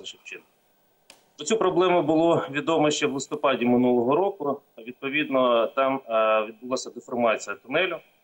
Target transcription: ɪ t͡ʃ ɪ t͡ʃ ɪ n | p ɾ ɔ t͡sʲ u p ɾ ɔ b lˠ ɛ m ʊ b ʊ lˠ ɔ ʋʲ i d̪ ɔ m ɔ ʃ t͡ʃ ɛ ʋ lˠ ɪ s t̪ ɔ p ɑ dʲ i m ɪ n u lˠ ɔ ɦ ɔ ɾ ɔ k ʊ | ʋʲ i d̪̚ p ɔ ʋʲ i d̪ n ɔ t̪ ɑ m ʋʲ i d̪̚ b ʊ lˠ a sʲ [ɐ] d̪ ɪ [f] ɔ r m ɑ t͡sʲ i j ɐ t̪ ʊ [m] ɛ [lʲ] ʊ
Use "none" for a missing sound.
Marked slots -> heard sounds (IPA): ɐ, f, n, lʲ

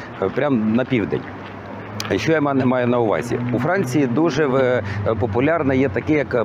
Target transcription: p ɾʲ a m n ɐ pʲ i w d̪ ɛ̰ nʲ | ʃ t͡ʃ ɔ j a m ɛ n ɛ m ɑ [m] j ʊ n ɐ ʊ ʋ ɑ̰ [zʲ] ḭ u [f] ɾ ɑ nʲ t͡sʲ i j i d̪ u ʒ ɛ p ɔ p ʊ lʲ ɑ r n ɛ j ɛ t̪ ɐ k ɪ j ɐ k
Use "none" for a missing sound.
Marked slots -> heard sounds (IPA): none, zʲ, f

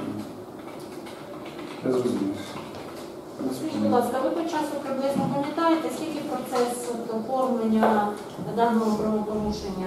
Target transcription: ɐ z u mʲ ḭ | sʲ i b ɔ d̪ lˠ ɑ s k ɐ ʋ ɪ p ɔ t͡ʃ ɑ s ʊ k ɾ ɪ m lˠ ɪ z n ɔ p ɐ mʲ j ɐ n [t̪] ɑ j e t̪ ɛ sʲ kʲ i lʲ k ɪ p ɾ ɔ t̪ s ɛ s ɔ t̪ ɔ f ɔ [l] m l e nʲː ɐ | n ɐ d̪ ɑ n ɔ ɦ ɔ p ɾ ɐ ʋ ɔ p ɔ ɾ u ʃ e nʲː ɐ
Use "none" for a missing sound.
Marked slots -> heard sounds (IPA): t̪, r

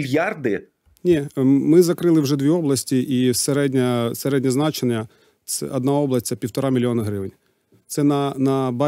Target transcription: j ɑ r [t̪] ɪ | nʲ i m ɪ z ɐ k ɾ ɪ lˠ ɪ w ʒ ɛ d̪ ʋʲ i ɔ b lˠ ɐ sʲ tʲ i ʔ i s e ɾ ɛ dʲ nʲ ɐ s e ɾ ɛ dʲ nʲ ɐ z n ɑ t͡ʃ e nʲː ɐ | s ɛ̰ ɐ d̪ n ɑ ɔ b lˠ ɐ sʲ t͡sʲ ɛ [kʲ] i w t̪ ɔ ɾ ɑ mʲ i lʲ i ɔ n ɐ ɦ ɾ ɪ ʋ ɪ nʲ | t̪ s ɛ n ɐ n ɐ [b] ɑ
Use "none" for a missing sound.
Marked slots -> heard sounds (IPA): d̪, pʲ, b

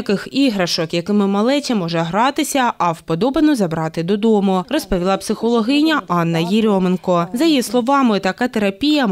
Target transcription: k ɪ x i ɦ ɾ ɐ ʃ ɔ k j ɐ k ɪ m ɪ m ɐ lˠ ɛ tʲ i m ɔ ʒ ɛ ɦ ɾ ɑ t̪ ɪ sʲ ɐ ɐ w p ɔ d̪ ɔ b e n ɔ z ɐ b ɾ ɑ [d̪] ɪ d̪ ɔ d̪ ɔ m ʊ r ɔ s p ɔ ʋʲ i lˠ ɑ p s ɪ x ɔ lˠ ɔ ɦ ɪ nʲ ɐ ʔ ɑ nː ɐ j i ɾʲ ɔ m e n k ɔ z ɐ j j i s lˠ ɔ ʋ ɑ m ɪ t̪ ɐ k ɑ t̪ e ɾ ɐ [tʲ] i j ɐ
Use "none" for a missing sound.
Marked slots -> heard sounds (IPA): t̪, pʲ

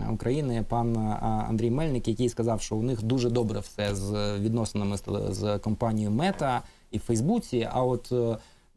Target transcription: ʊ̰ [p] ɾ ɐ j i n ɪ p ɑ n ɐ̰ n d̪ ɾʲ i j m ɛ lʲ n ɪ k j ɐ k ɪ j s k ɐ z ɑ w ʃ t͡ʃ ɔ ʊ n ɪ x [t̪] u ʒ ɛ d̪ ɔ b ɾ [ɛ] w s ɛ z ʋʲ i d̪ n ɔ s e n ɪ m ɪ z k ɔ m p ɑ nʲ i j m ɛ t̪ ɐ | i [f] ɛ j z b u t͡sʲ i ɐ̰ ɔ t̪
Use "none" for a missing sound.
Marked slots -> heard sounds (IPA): k, d̪, ɛ, f

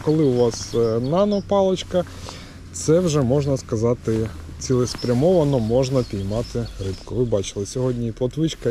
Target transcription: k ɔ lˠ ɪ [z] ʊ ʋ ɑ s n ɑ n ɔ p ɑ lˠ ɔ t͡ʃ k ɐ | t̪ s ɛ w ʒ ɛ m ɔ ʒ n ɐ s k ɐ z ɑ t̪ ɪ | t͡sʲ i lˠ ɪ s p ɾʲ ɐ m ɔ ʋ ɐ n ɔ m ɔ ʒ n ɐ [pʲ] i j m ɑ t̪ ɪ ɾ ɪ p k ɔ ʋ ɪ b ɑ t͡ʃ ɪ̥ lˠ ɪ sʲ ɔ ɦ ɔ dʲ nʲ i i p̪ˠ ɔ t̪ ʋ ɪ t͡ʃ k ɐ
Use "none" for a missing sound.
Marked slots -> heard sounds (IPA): none, pʲ

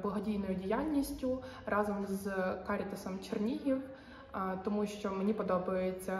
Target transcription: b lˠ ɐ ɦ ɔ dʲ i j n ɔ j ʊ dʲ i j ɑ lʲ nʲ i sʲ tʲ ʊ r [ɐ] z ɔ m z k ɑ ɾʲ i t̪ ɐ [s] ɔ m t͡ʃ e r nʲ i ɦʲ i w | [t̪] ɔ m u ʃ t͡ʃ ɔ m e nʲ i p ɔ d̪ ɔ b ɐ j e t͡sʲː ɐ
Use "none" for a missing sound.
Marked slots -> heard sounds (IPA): ɑ, s, t̪

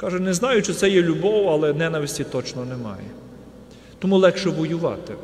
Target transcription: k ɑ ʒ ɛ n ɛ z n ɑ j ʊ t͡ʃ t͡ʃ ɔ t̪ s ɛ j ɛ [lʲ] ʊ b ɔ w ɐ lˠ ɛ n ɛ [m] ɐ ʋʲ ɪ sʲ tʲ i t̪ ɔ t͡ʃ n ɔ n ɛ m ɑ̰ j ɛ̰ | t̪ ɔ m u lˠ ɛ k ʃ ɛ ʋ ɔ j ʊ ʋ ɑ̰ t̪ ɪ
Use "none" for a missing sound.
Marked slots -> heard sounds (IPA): lʲ, n

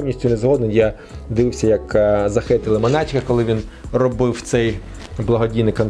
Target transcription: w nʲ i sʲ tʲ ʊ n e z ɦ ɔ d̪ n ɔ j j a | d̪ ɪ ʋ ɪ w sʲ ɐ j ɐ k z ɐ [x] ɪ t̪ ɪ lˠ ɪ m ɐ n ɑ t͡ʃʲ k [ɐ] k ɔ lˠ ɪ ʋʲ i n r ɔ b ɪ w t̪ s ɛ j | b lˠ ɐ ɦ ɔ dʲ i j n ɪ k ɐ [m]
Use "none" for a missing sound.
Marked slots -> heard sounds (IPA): x, ɐ, n

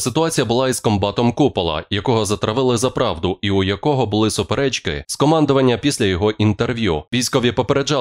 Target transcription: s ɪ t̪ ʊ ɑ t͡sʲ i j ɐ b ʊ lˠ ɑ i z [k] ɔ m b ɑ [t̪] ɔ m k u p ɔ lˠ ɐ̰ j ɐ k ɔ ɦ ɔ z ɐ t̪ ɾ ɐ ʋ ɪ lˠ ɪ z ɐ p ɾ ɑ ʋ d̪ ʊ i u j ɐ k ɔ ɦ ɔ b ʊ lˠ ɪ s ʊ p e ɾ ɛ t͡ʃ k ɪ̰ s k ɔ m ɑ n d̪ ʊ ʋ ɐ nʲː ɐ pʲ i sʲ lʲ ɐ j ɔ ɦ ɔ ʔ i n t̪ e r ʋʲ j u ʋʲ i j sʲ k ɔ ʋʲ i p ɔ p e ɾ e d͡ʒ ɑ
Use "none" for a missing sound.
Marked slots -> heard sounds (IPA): k, t̪

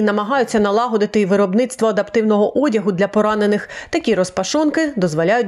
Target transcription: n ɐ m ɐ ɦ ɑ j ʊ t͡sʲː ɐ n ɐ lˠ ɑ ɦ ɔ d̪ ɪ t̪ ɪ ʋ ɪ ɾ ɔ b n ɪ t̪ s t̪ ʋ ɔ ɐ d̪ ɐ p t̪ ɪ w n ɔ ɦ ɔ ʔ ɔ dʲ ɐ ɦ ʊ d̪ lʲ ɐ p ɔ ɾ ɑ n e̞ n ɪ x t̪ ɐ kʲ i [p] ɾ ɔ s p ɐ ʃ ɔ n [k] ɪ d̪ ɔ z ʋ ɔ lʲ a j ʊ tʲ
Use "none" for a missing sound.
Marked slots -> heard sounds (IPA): none, k

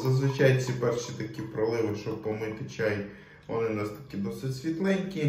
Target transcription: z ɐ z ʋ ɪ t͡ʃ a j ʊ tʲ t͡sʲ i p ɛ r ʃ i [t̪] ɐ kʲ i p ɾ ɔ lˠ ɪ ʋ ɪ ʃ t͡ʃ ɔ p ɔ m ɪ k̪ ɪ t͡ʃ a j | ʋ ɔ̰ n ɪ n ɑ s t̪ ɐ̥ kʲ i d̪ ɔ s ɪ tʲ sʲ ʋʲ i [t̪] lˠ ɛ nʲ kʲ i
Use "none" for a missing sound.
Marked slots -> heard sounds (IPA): t̪, t̪

